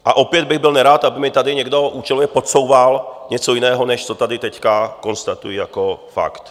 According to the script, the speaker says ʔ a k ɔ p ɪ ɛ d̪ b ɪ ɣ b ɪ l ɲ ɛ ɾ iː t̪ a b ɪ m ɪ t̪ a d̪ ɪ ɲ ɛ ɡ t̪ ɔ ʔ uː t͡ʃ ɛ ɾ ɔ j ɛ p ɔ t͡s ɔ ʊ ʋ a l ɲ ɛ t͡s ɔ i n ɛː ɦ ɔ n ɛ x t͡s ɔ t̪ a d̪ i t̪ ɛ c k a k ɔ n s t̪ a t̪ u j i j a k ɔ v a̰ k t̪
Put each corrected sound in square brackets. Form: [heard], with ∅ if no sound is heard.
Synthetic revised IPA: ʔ a [ʔ] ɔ p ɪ ɛ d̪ b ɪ ɣ b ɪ l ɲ ɛ ɾ [aː] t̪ a b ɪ m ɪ t̪ a d̪ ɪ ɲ ɛ ɡ [d̪] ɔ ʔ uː t͡ʃ ɛ [l] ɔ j ɛ p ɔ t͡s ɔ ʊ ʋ a l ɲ ɛ t͡s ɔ i n ɛː ɦ ɔ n ɛ [ʃ] t͡s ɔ t̪ a d̪ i t̪ ɛ c k a k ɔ n s t̪ a t̪ u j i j a k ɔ [f] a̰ k t̪

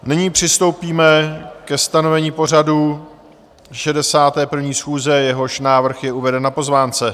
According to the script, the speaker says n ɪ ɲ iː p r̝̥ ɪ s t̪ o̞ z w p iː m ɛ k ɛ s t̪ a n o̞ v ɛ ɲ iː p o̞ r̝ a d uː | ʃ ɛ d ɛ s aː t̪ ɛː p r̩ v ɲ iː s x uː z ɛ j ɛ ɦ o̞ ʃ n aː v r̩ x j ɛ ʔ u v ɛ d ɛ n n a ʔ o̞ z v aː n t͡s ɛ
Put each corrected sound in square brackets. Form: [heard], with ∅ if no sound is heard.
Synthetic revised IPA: n ɪ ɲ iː p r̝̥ ɪ s t̪ o̞ [∅] w p iː m ɛ k ɛ s t̪ a n o̞ v ɛ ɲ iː p o̞ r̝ a d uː | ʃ ɛ d ɛ s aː t̪ ɛː p r̩ v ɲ iː s x uː z ɛ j ɛ ɦ o̞ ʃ n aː v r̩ x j ɛ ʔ u v ɛ d ɛ n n a [p] o̞ z v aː n t͡s ɛ

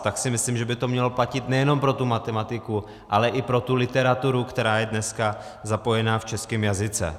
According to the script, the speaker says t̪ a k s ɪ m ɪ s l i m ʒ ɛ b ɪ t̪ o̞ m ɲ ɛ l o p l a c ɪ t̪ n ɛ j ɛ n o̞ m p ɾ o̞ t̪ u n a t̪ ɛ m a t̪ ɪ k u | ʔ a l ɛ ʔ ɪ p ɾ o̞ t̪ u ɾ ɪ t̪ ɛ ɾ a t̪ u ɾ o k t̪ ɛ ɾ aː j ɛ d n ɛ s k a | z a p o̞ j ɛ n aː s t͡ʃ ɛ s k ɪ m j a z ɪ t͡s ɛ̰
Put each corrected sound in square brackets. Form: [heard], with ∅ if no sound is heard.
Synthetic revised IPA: t̪ a k s ɪ m ɪ s l i m ʒ ɛ b ɪ t̪ o̞ m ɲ ɛ l o p l a c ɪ t̪ n ɛ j ɛ n o̞ m p ɾ o̞ t̪ u [m] a t̪ ɛ m a t̪ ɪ k u | ʔ a l ɛ ʔ ɪ p ɾ o̞ t̪ u [l] ɪ t̪ ɛ ɾ a t̪ u ɾ [u] k t̪ ɛ ɾ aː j ɛ d n ɛ s k a | z a p o̞ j ɛ n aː [f] t͡ʃ ɛ s k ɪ m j a z ɪ t͡s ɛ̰

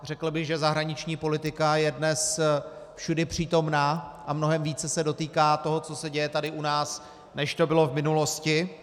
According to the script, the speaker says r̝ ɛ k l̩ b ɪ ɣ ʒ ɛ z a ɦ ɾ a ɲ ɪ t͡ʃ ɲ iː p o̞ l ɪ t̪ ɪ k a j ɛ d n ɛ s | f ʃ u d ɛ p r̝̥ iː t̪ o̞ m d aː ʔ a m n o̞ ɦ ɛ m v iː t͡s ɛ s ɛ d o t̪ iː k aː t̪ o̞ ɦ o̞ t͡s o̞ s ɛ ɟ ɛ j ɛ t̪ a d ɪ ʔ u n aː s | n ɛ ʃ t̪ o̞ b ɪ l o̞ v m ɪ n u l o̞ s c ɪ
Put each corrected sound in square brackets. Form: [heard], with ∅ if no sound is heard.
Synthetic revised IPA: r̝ ɛ k l̩ b ɪ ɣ ʒ ɛ z a ɦ ɾ a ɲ ɪ t͡ʃ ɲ iː p o̞ l ɪ t̪ ɪ k a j ɛ d n ɛ s | f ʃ u d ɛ p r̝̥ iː t̪ o̞ m [n] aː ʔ a m n o̞ ɦ ɛ m v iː t͡s ɛ s ɛ d o t̪ iː k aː t̪ o̞ ɦ o̞ t͡s o̞ s ɛ ɟ ɛ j ɛ t̪ a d ɪ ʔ u n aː s | n ɛ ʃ t̪ o̞ b ɪ l o̞ v m ɪ n u l o̞ s c ɪ

